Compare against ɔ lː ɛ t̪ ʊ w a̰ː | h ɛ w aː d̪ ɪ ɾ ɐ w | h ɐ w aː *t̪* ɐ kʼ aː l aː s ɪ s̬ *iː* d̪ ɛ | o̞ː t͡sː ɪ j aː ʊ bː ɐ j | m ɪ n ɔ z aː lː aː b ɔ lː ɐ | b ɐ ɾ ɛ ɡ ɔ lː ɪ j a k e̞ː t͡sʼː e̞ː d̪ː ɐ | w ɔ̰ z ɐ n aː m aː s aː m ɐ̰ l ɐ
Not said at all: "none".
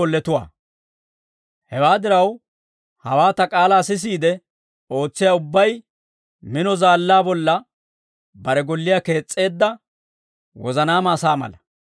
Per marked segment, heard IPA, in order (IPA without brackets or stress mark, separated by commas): t̪, iː